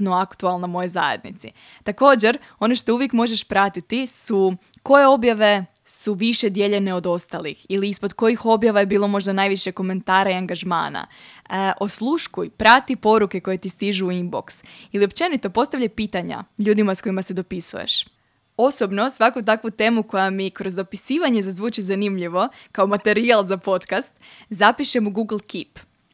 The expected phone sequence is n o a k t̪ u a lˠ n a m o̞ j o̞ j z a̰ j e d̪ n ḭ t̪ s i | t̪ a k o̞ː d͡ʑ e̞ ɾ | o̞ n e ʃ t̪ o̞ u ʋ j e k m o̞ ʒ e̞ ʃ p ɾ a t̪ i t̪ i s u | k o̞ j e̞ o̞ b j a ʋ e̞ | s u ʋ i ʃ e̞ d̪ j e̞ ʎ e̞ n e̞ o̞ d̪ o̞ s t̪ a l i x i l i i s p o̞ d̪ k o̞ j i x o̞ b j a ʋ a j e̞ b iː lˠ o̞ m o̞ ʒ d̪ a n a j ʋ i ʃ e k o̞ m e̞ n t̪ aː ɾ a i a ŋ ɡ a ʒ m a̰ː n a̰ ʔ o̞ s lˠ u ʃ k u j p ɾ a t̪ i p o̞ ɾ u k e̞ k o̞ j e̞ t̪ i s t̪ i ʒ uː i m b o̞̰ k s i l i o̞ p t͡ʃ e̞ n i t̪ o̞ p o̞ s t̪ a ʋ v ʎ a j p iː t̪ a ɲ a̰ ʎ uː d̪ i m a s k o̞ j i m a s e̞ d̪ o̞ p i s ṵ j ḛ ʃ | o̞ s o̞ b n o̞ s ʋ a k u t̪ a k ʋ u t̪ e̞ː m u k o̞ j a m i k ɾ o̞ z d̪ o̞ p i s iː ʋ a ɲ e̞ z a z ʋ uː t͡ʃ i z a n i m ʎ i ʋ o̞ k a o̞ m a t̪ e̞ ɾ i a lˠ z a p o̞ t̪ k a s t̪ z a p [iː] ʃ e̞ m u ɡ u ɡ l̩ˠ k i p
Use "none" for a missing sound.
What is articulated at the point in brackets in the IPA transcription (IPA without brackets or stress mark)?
i